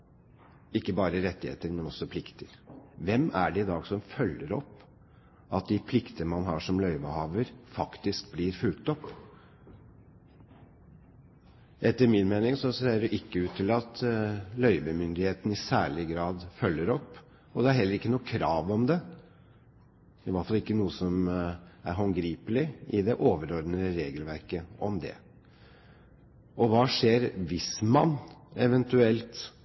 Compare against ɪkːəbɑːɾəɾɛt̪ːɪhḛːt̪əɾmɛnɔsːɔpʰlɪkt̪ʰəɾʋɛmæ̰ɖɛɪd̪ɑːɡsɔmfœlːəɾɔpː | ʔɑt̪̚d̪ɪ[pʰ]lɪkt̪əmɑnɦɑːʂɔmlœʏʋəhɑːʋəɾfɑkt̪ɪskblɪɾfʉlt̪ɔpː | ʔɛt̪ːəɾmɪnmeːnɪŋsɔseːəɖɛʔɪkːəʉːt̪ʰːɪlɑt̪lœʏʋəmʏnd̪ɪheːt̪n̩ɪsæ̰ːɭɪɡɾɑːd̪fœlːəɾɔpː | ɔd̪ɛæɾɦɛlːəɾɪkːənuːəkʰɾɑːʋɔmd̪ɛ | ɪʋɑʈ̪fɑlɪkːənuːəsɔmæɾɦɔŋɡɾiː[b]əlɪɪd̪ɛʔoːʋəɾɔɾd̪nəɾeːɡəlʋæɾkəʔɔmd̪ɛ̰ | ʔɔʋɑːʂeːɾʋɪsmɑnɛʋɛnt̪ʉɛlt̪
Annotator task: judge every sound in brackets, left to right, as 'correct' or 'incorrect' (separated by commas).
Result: correct, incorrect